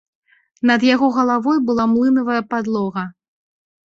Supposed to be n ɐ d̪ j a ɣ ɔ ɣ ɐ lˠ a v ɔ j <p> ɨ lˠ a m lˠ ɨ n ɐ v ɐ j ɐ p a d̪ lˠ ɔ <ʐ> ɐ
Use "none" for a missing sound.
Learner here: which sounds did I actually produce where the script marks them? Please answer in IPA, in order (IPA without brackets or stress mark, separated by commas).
b, ɣ